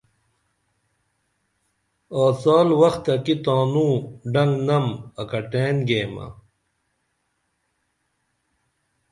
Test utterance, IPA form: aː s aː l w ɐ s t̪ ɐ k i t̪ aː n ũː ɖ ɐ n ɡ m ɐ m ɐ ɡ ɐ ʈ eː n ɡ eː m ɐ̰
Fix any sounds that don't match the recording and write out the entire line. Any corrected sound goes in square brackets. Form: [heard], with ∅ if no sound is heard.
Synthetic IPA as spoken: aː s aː l w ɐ [x] t̪ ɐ k i t̪ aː n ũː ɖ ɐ [ŋ] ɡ [n] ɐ m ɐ [k] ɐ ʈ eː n ɡ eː m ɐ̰